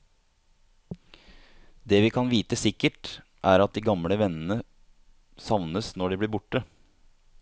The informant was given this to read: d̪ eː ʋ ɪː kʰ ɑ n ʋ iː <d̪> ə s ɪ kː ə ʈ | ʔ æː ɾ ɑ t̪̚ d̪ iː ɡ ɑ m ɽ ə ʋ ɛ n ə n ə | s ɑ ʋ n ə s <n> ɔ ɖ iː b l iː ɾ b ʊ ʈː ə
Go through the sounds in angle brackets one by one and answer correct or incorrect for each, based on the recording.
incorrect: t̪, correct

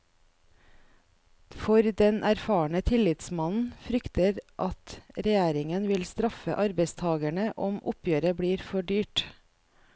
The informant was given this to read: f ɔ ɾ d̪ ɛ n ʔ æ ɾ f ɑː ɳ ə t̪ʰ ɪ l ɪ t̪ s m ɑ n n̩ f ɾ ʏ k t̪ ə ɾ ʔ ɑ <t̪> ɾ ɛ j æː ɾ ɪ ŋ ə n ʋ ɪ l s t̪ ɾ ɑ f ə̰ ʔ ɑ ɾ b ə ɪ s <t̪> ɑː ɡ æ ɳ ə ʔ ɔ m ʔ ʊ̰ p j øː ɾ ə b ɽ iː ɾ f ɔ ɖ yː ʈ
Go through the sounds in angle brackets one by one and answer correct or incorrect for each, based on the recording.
correct, incorrect: t̪ʰ

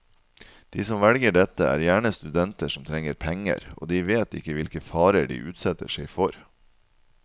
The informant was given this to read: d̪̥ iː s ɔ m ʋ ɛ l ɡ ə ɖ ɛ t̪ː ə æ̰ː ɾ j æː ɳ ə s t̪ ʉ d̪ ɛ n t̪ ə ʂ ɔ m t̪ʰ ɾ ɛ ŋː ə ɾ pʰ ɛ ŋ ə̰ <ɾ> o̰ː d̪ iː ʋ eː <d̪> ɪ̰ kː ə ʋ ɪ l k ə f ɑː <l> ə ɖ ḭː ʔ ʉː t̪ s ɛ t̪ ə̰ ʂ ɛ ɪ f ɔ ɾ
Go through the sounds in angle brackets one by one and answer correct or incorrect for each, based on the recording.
correct, incorrect: t̪, incorrect: ɾ

